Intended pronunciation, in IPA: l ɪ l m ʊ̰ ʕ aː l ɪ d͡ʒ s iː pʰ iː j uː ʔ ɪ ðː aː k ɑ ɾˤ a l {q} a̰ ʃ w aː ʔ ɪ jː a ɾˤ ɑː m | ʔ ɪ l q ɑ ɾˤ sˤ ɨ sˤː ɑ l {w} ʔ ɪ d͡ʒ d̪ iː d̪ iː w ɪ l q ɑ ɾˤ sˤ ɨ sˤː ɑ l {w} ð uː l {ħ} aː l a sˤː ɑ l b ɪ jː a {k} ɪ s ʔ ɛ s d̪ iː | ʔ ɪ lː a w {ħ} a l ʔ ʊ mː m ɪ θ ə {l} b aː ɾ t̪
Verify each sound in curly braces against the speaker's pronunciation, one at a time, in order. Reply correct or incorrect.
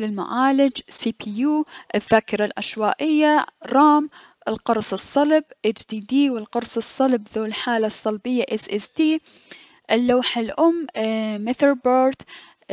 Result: incorrect: ʔ, incorrect: b, incorrect: b, correct, incorrect: ʔ, correct, incorrect: ɾ

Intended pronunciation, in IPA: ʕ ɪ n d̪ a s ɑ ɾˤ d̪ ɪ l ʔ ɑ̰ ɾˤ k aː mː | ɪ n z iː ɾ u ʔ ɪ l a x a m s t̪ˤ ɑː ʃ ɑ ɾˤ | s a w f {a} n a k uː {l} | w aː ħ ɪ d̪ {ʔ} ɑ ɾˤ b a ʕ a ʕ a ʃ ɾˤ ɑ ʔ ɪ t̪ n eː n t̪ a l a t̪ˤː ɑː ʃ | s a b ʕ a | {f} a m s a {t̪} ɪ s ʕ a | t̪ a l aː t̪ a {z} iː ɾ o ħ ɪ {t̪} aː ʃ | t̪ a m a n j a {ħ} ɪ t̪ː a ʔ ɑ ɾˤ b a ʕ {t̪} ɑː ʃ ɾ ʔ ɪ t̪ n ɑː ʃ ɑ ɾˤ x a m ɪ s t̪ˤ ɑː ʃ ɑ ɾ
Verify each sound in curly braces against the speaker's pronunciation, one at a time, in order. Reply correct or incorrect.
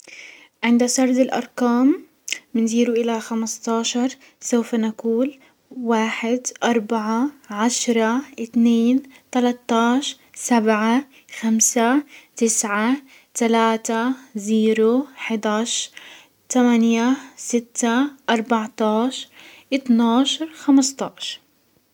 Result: correct, correct, correct, incorrect: x, correct, correct, incorrect: d̪, incorrect: s, correct

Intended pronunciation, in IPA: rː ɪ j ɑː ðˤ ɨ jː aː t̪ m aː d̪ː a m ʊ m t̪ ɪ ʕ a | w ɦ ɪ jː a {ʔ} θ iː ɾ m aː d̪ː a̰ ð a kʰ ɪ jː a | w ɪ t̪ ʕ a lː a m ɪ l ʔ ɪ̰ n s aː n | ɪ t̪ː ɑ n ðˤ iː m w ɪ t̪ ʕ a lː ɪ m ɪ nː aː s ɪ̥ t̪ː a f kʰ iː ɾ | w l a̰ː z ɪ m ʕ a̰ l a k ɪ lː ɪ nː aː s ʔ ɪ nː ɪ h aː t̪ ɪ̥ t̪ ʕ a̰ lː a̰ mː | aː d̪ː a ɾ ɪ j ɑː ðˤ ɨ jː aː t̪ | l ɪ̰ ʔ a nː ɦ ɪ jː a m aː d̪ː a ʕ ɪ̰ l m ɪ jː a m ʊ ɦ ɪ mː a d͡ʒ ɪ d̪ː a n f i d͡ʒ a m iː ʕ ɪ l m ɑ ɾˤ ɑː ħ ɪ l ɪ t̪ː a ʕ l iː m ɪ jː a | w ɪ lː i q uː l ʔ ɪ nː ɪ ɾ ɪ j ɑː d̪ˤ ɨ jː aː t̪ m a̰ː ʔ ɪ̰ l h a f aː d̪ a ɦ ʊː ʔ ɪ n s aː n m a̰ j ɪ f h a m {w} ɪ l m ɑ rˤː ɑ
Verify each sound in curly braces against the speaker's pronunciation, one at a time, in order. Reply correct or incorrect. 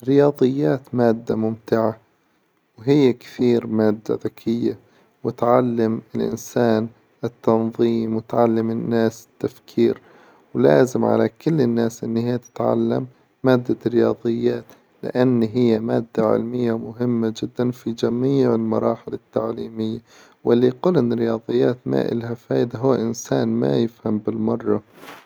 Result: incorrect: k, incorrect: b

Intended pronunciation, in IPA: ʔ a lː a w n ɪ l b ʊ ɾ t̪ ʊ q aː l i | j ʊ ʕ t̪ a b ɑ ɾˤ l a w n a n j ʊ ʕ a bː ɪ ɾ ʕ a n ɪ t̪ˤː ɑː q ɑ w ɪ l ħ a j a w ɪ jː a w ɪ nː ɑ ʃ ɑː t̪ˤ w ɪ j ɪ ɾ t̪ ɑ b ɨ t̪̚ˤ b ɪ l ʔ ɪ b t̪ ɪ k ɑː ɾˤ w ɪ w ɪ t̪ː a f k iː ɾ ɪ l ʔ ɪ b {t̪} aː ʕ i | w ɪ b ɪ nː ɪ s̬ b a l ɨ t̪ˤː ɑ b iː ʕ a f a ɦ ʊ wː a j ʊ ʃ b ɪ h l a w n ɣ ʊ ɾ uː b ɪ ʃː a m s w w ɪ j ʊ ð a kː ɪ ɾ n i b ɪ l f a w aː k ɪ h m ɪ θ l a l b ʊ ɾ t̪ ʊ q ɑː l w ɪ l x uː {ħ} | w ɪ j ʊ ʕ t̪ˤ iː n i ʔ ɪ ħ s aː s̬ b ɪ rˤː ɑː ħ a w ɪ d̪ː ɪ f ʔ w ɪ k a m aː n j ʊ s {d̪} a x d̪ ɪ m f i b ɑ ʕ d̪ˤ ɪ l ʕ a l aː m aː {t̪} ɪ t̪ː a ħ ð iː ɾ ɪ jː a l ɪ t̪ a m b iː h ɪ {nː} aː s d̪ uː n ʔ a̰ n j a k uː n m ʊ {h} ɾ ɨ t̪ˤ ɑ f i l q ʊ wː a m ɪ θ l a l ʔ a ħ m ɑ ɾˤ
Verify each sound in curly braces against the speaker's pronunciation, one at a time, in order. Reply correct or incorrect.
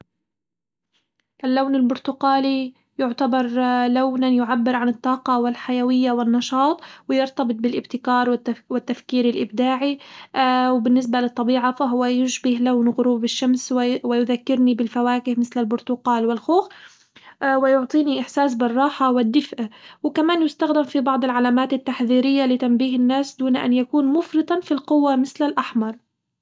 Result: incorrect: d̪, incorrect: x, incorrect: t̪, correct, correct, incorrect: f

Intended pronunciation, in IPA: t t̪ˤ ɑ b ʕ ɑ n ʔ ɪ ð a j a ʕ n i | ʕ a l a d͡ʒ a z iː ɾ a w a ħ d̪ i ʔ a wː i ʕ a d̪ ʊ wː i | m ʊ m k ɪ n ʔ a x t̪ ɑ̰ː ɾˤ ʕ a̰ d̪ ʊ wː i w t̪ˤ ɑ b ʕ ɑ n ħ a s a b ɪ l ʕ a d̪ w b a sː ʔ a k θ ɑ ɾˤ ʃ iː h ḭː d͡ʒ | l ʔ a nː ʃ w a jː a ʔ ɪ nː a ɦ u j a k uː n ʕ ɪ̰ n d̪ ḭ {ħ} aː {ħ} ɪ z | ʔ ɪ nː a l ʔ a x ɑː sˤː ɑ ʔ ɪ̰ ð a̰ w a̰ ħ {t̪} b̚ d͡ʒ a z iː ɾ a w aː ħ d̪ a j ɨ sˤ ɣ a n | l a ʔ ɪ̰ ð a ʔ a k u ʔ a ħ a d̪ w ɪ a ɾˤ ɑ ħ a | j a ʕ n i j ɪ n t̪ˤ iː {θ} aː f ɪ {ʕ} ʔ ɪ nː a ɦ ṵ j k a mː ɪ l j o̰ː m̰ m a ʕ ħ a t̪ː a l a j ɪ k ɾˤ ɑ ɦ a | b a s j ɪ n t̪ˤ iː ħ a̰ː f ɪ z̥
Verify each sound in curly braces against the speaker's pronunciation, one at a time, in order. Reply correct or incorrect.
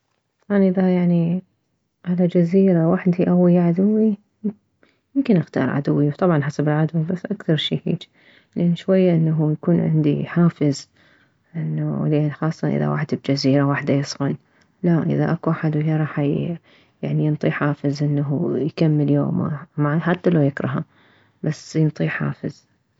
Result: correct, incorrect: f, incorrect: d̪, incorrect: ħ, incorrect: z

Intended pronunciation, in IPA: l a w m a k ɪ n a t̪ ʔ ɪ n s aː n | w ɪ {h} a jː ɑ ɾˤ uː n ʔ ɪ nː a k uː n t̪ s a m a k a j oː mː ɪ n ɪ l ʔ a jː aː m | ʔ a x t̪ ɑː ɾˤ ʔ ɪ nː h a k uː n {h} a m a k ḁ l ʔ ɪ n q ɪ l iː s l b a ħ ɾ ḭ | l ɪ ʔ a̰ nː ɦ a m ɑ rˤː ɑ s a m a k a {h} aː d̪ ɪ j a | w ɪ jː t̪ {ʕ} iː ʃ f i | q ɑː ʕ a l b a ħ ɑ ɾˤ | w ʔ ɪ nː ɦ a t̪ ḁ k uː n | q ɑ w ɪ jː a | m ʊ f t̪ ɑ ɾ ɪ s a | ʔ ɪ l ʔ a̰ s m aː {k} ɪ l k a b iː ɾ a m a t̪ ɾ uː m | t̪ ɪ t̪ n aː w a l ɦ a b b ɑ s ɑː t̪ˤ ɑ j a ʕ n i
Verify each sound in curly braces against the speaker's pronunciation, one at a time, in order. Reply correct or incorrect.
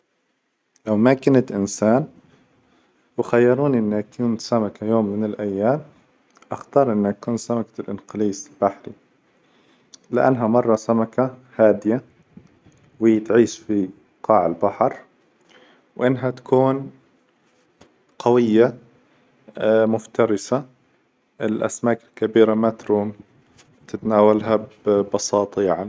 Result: incorrect: x, incorrect: s, correct, correct, correct

